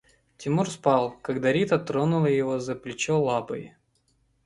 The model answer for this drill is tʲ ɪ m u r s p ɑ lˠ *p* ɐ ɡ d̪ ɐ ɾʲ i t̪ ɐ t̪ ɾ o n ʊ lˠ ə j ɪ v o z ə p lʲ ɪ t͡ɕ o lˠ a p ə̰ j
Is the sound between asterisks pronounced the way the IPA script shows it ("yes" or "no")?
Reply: no